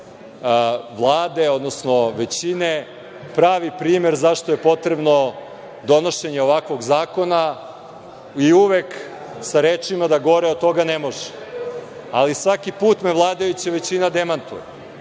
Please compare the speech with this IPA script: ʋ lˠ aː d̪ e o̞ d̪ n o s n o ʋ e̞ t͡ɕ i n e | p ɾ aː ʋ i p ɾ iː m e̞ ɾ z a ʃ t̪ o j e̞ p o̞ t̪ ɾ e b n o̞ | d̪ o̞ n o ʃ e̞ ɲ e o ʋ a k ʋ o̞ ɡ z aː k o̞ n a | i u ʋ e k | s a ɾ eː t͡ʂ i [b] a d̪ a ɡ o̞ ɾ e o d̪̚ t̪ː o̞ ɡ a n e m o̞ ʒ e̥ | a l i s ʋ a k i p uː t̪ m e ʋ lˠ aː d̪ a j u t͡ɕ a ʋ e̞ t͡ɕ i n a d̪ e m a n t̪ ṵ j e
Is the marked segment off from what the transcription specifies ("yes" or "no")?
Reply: yes